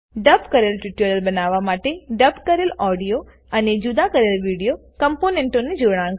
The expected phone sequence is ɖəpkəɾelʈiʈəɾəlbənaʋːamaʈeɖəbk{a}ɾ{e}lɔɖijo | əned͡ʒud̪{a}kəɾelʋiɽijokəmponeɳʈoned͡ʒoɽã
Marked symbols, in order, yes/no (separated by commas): no, yes, yes